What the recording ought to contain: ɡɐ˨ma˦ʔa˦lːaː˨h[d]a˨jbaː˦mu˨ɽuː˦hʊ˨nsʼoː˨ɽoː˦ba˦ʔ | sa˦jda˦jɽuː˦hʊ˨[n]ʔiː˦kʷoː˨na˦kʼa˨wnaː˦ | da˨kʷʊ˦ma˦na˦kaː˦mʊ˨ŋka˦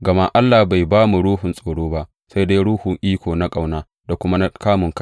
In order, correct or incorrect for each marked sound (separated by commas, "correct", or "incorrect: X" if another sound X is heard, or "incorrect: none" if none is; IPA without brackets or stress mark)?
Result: incorrect: b, incorrect: ŋ